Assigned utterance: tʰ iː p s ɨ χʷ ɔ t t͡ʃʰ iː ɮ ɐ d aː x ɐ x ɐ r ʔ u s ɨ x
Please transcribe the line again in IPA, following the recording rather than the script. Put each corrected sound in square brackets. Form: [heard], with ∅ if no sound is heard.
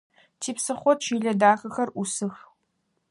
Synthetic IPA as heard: tʰ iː p s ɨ χʷ ɔ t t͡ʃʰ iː ɮ ɐ d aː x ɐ x ɐ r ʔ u s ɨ x

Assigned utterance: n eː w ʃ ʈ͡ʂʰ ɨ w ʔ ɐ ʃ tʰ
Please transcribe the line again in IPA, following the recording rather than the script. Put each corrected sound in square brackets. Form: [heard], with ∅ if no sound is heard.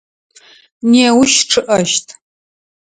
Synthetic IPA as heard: n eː w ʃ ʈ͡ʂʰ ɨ [∅] ʔ ɐ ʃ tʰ

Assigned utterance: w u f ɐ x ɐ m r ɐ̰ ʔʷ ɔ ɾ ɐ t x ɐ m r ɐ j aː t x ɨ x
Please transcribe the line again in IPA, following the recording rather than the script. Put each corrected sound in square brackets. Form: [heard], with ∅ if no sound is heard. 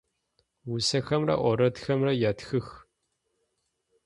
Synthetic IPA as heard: w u [s] ɐ x ɐ m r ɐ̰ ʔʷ ɔ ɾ ɐ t x ɐ m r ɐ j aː t x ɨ x

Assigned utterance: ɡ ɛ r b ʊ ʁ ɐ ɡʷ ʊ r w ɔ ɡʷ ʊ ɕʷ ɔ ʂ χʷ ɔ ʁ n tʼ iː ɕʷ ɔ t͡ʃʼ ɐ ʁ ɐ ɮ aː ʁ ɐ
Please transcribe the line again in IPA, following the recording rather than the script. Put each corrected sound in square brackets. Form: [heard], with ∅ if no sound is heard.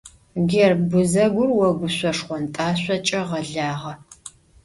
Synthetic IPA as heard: ɡ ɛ r b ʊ [z] ɐ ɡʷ ʊ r w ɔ ɡʷ ʊ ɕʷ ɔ ʂ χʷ ɔ [∅] n tʼ [aː] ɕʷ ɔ t͡ʃʼ ɐ ʁ ɐ ɮ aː ʁ ɐ

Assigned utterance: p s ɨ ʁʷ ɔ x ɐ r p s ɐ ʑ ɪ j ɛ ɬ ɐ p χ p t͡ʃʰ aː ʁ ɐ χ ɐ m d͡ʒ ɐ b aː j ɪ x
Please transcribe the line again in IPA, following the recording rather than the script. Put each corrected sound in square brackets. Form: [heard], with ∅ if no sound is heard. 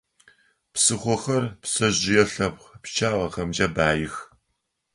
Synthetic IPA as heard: p s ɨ [χʷ] ɔ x ɐ r p s ɐ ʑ ɪ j ɛ ɬ ɐ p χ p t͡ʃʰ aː ʁ ɐ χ ɐ m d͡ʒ ɐ b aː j ɪ x

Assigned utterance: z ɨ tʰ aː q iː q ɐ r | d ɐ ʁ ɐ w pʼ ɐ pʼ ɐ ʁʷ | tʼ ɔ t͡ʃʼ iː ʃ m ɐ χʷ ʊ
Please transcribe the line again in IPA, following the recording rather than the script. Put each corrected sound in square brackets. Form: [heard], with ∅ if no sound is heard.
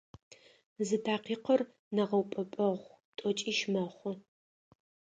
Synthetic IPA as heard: z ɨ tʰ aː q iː q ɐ r | [n] ɐ ʁ ɐ w pʼ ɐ pʼ ɐ ʁʷ | tʼ ɔ t͡ʃʼ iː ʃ m ɐ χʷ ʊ

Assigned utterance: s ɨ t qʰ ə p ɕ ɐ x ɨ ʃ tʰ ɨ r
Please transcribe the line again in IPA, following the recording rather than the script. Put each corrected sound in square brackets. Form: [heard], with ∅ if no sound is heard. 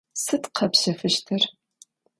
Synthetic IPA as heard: s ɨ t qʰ [ɐ] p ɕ ɐ [f] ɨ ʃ tʰ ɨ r

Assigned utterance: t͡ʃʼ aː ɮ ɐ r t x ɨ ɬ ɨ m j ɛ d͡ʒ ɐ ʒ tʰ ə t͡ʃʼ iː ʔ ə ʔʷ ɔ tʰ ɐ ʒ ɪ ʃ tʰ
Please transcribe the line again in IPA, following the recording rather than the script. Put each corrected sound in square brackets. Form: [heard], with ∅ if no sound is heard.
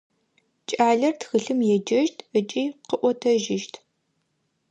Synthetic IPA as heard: t͡ʃʼ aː ɮ ɐ r t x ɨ ɬ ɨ m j ɛ d͡ʒ ɐ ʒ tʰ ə t͡ʃʼ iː [q] ə ʔʷ ɔ tʰ ɐ ʒ ɪ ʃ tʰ

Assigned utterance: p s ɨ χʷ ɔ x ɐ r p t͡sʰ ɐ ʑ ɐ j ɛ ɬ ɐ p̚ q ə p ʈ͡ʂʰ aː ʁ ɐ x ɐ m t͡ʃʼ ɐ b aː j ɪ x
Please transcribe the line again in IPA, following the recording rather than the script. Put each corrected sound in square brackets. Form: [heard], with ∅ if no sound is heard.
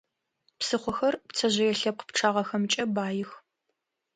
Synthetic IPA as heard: p s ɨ χʷ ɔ x ɐ r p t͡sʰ ɐ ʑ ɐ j ɛ ɬ ɐ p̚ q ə p ʈ͡ʂʰ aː ʁ ɐ x ɐ m t͡ʃʼ ɐ b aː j ɪ x

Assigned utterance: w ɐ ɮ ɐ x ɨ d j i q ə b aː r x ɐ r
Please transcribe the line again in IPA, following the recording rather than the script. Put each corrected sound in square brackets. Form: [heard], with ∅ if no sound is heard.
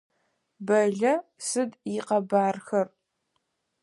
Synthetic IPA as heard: [b] ɐ ɮ ɐ [s] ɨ d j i q [ɐ] b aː r x ɐ r

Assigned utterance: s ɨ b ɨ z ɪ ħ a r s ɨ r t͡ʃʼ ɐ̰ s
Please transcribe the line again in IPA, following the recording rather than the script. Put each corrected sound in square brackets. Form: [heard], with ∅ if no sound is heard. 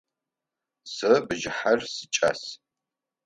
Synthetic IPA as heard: s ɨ b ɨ [ʒ] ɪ ħ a r s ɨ [∅] t͡ʃʼ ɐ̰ s

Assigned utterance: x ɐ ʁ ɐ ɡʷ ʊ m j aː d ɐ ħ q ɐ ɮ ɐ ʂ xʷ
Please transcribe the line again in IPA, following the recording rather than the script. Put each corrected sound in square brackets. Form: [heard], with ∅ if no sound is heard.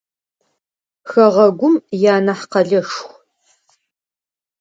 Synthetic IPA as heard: x ɐ ʁ ɐ ɡʷ ʊ m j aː [n] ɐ ħ q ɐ ɮ ɐ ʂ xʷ

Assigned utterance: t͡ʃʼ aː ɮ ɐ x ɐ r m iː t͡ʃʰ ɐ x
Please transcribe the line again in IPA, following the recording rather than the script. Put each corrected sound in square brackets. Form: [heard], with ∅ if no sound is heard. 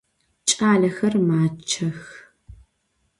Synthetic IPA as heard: t͡ʃʼ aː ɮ ɐ x ɐ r m [aː] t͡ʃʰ ɐ x

